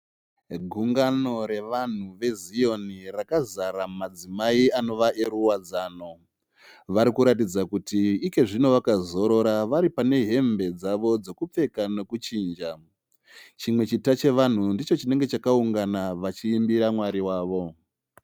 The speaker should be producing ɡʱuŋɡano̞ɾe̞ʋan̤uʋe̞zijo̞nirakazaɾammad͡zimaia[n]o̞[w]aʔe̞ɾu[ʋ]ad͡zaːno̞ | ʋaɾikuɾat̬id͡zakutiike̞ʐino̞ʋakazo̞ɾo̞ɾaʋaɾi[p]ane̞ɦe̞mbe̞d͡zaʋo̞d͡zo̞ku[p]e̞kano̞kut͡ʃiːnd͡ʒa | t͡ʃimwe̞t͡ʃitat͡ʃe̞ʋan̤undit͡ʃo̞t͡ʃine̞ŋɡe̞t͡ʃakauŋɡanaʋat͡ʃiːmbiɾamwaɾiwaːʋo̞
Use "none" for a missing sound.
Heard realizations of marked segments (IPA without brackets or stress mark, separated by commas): n, ʋ, w, p, p͡f